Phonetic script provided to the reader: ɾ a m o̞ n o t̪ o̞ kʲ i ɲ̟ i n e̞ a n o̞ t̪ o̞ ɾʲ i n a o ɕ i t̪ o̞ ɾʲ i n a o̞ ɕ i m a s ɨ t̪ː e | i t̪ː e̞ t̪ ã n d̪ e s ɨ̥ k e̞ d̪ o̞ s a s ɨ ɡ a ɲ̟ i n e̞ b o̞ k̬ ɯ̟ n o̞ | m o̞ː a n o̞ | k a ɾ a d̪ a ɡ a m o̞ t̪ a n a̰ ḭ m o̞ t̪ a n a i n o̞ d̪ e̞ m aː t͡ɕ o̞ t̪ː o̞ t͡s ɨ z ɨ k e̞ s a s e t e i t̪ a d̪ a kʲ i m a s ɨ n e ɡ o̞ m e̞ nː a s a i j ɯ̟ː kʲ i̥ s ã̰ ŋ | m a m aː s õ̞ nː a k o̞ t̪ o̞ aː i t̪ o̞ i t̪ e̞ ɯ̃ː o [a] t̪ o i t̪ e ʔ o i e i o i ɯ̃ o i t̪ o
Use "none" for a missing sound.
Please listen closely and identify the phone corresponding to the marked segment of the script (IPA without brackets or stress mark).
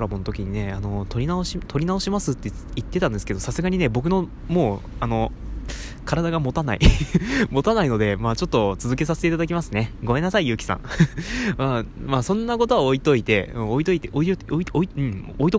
i